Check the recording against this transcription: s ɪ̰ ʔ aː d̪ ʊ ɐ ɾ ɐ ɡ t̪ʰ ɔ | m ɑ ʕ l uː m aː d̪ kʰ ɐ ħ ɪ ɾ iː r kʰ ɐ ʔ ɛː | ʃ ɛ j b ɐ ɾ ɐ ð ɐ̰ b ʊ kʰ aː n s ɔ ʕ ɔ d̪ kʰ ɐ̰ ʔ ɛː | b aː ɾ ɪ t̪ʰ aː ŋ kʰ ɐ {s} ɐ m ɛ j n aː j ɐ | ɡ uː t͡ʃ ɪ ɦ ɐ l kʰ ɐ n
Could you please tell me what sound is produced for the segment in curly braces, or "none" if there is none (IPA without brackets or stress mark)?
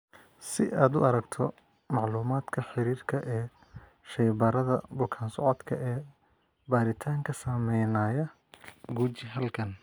s